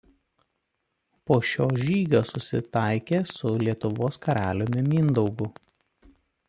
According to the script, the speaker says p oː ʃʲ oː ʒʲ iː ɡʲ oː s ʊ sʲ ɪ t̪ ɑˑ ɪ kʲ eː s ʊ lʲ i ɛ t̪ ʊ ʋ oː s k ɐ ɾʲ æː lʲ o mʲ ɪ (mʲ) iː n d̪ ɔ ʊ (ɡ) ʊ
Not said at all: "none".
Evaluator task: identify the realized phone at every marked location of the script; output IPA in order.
mʲ, ɡ

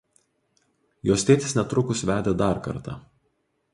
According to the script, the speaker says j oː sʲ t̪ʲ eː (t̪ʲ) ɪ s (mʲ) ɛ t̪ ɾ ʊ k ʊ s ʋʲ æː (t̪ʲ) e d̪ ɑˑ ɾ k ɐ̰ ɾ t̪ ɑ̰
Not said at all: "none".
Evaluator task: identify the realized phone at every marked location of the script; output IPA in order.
t̪ʲ, nʲ, d̪ʲ

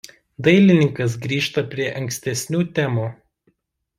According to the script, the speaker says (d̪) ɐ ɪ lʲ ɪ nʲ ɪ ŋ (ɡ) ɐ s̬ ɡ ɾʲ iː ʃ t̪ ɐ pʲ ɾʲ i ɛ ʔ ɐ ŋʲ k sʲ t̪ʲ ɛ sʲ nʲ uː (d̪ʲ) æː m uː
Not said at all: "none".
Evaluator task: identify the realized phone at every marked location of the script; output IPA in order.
d̪, k, t̪ʲ

